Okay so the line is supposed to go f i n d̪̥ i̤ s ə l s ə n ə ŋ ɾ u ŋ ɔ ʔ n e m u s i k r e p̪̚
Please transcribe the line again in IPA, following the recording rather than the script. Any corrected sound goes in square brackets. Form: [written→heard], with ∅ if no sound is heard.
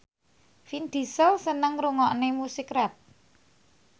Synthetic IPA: f i n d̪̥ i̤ s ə l s ə n ə ŋ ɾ u ŋ ɔ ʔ n e m u s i k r [e→ɛ] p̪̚